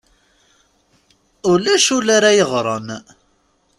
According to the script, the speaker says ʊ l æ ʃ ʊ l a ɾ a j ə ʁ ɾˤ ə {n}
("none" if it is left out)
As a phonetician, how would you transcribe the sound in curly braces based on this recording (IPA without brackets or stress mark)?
n